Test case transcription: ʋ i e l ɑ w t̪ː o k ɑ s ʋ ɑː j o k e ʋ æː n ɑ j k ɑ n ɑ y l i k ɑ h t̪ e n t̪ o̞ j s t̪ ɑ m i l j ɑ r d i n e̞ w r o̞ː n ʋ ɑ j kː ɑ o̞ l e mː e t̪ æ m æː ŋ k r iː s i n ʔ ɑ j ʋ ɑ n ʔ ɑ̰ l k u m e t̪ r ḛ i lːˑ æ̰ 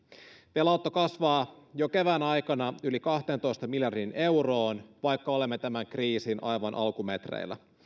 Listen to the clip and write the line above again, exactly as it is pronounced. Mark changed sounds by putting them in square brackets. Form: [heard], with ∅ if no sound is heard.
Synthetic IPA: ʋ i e l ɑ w t̪ː o k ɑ s ʋ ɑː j o k e ʋ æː n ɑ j k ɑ n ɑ y l i k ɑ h t̪ e n t̪ o̞ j s t̪ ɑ m i l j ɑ r d i n e̞ w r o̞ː n ʋ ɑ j kː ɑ o̞ l e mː e t̪ æ m [æ] ŋ k r iː s i n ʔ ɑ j ʋ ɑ n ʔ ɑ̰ l k u m e t̪ r ḛ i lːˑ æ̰